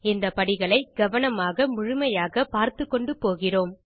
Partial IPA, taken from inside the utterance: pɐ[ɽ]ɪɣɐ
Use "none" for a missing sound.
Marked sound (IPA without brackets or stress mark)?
ɽ